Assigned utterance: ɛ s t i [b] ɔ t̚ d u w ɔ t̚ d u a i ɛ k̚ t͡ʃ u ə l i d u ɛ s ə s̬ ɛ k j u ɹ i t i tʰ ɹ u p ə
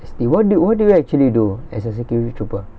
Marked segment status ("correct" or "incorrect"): incorrect